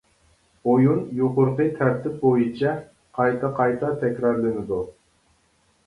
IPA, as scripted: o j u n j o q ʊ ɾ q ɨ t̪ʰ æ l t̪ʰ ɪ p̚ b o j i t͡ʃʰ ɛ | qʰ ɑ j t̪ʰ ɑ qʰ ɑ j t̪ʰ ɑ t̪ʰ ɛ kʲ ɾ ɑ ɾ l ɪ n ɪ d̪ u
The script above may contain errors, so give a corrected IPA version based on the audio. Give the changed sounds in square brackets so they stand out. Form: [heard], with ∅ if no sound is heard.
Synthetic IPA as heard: o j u n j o q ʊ ɾ q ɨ t̪ʰ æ [ɾ] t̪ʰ ɪ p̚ b o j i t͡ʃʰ ɛ | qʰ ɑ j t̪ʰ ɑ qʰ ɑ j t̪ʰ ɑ t̪ʰ ɛ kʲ ɾ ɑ ɾ l ɪ n ɪ d̪ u